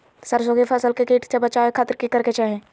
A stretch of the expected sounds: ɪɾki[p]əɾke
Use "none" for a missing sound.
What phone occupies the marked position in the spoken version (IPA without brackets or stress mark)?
k